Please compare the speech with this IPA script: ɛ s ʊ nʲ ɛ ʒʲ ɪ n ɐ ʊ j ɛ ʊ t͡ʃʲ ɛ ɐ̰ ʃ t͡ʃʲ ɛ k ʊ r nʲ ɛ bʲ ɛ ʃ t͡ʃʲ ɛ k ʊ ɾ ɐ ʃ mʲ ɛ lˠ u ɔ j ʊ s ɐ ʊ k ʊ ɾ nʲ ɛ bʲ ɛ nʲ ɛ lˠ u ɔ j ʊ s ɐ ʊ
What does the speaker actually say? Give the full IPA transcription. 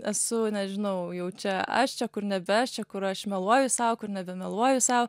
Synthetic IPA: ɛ s ʊ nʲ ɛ ʒʲ ɪ n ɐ ʊ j ɛ ʊ t͡ʃʲ ɛ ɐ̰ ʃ t͡ʃʲ ɛ k ʊ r nʲ ɛ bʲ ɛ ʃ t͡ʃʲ ɛ k ʊ ɾ ɐ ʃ mʲ ɛ lˠ u ɔ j ʊ s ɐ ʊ k ʊ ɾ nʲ ɛ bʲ ɛ mʲ ɛ lˠ u ɔ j ʊ s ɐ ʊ